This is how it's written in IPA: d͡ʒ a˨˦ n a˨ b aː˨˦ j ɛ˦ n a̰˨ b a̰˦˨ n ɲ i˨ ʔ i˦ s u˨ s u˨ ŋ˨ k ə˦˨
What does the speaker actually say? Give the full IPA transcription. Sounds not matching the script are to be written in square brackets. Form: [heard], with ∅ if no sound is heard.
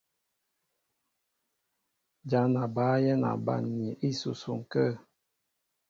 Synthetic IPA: d͡ʒ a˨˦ n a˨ b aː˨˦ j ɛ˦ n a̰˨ b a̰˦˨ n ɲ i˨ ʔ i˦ s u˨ s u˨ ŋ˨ k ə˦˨